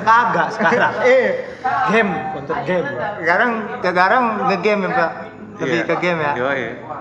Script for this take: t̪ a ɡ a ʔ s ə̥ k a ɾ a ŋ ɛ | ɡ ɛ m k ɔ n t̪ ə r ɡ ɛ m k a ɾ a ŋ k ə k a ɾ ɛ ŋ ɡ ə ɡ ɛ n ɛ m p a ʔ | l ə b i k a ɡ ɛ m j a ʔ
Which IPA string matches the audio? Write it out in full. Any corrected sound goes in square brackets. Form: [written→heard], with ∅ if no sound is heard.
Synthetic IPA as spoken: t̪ a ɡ a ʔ s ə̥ k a ɾ a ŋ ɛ | ɡ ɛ m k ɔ n t̪ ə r ɡ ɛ m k a ɾ a ŋ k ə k a ɾ [ɛ→a] ŋ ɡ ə ɡ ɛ [n→m] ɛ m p a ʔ | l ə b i k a ɡ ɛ m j a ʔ